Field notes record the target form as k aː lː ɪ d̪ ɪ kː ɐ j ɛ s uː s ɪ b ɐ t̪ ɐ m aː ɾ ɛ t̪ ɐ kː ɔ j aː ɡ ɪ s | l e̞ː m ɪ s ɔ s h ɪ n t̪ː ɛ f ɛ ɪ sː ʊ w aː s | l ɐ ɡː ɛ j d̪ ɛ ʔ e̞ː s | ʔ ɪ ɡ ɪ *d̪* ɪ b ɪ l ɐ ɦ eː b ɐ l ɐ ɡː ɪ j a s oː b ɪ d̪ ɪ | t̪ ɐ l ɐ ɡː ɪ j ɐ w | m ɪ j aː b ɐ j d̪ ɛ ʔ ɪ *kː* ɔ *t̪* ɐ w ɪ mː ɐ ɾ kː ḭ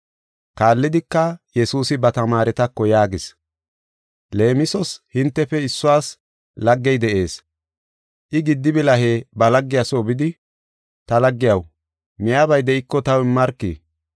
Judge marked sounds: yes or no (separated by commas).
no, yes, yes